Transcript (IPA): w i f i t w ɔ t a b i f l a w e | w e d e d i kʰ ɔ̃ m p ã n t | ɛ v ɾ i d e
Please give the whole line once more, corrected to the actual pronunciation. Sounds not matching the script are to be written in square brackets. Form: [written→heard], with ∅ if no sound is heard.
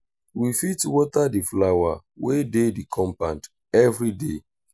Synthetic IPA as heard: w i f i t w ɔ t a [b→d] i f l a w [e→a] | w e d e d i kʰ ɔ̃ m p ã n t | ɛ v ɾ i d e